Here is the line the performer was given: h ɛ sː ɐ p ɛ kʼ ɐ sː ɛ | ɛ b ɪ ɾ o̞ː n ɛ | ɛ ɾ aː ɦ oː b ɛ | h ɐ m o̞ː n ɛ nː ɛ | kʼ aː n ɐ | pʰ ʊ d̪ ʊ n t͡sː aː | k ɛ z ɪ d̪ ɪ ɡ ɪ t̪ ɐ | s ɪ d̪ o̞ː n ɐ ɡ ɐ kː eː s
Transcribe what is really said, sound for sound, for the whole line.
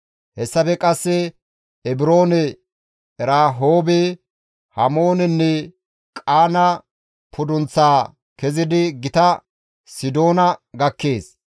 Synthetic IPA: h ɛ sː ɐ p ɛ kʼ ɐ sː ɛ | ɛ b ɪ ɾ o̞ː n ɛ | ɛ ɾ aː ɦ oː b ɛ | h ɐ m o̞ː n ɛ nː ɛ | kʼ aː n ɐ | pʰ ʊ d̪ ʊ n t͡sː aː | k ɛ z ɪ d̪ ɪ ɡ ɪ t̪ ɐ | s ɪ d̪ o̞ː n ɐ ɡ ɐ kː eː s